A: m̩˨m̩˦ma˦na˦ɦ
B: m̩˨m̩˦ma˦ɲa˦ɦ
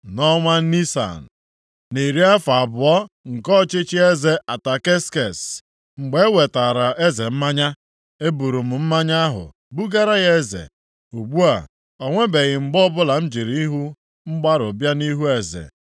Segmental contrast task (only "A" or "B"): B